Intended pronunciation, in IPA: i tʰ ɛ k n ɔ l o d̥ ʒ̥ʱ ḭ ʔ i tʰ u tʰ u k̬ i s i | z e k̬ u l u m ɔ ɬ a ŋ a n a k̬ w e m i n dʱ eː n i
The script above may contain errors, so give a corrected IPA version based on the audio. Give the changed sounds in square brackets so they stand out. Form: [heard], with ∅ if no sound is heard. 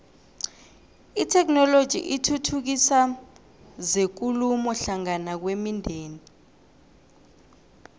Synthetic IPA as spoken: i tʰ ɛ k n ɔ l o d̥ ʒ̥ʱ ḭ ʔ i tʰ u tʰ u k̬ i s [a] | z e k̬ u l u m ɔ ɬ a ŋ a n a k̬ w e m i n dʱ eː n i